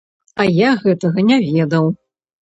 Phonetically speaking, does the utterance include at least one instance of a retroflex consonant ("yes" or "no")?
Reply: no